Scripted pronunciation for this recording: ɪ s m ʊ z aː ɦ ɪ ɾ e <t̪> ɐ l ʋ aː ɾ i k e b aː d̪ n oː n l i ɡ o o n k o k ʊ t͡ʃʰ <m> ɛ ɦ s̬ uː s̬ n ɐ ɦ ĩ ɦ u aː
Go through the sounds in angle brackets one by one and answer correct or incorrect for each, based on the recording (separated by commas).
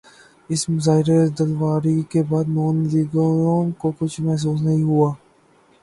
incorrect, correct